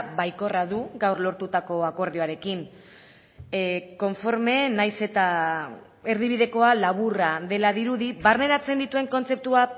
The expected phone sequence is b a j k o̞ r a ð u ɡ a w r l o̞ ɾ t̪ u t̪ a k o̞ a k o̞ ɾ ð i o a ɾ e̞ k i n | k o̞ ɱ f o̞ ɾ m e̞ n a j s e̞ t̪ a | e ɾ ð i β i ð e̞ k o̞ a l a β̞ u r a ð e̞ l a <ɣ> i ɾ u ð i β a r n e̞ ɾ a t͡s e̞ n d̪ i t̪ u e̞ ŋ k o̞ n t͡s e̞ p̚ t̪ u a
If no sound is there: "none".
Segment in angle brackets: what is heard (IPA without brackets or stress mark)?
ð